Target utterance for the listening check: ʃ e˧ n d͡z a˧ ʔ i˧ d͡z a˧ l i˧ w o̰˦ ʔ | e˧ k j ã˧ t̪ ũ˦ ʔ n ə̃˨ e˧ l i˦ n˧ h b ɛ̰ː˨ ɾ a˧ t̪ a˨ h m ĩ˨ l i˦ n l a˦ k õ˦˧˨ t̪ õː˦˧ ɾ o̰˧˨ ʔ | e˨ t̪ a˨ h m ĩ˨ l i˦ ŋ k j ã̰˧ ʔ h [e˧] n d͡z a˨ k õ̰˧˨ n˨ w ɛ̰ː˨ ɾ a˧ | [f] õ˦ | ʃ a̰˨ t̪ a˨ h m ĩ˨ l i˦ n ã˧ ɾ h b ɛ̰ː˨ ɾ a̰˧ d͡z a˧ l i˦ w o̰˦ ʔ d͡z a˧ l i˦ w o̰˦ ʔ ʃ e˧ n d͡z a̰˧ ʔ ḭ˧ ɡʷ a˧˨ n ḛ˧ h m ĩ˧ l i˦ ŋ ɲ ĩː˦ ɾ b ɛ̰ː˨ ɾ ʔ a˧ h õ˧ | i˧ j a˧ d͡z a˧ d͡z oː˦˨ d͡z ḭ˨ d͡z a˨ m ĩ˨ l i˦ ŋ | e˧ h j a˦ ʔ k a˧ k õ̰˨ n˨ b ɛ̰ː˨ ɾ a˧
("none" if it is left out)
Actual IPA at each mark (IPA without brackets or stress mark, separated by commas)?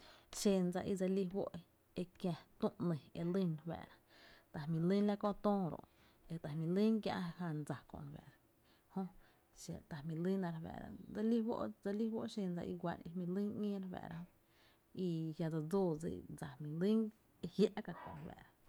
a˧, h